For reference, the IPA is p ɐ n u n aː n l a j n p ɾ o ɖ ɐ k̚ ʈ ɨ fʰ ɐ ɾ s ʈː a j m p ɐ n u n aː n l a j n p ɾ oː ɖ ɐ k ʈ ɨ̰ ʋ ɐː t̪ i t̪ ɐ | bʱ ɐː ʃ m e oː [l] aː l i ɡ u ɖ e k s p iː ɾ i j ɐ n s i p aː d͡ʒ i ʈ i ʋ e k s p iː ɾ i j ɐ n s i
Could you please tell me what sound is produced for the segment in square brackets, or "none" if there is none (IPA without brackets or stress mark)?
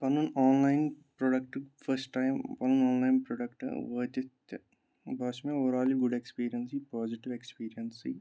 ɾ